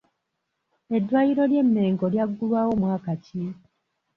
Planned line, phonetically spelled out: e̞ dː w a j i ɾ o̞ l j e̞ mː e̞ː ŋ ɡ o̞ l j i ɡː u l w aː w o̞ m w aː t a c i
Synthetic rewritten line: e̞ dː w a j i ɾ o̞ l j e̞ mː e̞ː ŋ ɡ o̞ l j a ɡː u l w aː w o̞ m w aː k a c i